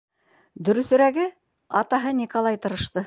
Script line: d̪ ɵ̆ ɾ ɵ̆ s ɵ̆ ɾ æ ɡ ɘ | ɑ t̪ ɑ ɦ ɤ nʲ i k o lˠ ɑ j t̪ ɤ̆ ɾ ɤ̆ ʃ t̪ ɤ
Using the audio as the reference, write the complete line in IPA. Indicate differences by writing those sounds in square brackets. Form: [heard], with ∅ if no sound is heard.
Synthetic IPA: d̪ ɵ̆ ɾ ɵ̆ [θ] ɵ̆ ɾ æ ɡ ɘ | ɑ t̪ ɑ ɦ ɤ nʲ i k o lˠ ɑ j t̪ ɤ̆ ɾ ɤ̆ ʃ t̪ ɤ